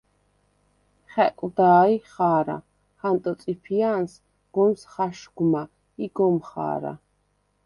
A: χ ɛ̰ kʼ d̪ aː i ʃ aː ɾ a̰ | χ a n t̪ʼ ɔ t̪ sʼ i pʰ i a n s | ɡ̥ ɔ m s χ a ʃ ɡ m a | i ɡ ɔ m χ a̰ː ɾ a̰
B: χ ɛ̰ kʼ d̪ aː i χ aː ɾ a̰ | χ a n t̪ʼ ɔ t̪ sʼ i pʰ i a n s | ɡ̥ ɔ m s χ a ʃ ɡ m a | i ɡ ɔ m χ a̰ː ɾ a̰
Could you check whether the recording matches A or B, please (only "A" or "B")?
B